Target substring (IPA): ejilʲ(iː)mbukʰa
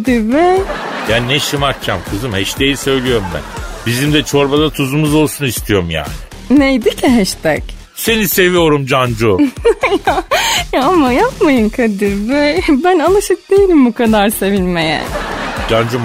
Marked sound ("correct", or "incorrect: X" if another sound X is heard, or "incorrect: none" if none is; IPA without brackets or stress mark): incorrect: i